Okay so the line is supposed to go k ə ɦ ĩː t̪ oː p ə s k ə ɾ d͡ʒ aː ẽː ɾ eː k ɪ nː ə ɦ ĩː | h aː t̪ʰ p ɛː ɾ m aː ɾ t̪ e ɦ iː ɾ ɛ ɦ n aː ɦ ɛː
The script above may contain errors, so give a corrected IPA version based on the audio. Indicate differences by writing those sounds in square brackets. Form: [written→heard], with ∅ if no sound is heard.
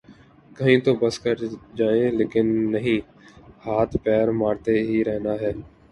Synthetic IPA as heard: k ə ɦ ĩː t̪ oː [p→b] ə s k ə ɾ d͡ʒ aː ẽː [ɾ→l] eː k ɪ nː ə ɦ ĩː | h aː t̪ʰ p ɛː ɾ m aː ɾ t̪ e ɦ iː ɾ ɛ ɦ n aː ɦ ɛː